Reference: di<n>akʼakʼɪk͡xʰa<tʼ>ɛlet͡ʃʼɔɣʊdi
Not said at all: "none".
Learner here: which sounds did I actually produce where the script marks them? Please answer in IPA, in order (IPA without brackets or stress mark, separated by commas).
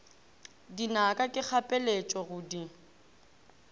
n, pʼ